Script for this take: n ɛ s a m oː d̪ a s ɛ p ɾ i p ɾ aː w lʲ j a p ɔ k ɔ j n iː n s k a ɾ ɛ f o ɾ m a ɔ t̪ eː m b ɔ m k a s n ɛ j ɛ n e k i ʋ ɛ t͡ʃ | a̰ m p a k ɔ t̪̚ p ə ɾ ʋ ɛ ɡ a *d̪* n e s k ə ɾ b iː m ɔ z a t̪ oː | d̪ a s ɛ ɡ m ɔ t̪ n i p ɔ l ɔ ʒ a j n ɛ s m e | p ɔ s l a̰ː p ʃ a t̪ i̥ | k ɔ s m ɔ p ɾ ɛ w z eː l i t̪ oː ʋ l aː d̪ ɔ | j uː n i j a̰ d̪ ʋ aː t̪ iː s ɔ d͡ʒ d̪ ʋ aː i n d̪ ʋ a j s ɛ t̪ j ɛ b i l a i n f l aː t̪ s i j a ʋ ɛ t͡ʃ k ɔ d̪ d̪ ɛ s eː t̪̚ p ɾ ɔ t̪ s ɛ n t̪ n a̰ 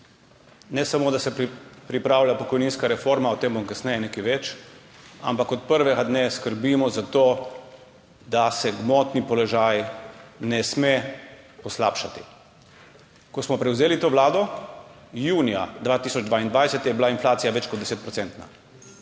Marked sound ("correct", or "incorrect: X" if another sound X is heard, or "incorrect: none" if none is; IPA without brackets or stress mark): correct